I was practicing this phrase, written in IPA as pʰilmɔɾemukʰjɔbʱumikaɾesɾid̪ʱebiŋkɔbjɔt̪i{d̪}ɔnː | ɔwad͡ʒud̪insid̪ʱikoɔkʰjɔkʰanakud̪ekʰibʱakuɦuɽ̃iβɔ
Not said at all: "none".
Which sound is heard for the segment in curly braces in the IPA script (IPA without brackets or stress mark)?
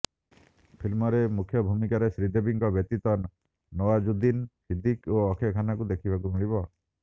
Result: t̪